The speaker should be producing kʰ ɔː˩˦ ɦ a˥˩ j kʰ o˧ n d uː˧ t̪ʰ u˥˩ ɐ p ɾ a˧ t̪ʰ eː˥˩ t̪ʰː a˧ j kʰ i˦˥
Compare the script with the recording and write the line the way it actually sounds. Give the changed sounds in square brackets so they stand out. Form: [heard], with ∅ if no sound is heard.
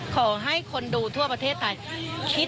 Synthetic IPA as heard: kʰ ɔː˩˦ ɦ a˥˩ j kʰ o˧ n d uː˧ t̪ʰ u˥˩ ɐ p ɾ a˧ t̪ʰ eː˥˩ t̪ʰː a˧ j kʰ i˦˥